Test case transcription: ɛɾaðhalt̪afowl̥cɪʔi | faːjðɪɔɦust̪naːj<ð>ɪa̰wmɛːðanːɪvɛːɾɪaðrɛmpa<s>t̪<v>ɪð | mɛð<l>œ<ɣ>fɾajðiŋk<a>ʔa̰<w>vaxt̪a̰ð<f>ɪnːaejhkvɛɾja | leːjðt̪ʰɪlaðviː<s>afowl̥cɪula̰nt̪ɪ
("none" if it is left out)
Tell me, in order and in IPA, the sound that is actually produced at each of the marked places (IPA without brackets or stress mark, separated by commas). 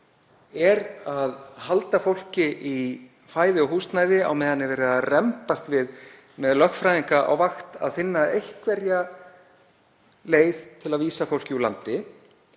ð, s, v, l, x, a, w, f, s